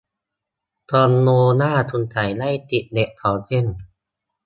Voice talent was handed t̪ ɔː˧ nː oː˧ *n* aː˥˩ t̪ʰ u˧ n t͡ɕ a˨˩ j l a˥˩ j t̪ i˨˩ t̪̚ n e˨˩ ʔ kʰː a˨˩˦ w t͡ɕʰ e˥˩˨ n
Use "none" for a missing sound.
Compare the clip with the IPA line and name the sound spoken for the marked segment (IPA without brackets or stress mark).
n